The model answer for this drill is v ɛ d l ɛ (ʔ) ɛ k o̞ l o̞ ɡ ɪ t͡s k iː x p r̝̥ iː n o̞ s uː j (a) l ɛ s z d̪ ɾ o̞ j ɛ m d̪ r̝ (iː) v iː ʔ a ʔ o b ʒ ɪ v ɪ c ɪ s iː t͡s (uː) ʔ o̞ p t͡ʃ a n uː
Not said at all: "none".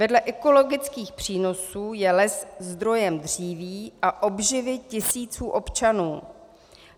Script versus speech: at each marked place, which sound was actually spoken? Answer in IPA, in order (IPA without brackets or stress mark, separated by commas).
ʔ, ɛ, iː, uː